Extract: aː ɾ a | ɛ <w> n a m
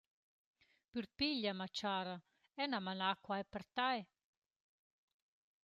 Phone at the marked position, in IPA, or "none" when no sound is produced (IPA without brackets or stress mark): none